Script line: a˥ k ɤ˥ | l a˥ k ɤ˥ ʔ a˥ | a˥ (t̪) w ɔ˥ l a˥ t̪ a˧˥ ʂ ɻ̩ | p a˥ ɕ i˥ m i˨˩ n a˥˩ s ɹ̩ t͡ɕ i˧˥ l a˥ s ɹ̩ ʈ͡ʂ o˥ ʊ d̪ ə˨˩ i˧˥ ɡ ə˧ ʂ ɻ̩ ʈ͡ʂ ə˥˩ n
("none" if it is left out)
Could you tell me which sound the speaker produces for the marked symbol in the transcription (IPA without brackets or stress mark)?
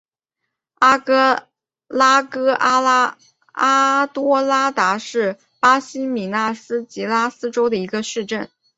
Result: t̪